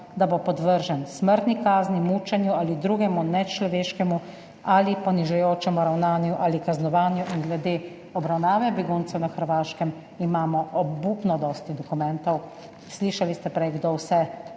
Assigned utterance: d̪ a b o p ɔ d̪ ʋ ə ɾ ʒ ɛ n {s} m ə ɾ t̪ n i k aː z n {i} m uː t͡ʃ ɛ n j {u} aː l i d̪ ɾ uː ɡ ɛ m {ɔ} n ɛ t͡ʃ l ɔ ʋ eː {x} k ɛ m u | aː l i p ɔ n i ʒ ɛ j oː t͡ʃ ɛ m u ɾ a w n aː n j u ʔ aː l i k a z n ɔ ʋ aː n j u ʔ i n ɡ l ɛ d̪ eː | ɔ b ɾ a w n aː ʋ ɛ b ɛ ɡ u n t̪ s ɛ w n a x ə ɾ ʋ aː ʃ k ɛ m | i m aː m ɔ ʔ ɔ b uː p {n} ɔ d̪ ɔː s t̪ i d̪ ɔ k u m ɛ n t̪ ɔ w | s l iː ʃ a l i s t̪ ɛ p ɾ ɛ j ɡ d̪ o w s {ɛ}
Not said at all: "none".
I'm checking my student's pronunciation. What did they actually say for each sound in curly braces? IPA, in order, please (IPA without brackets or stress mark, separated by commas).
s, i, u, u, ʃ, n, ɛ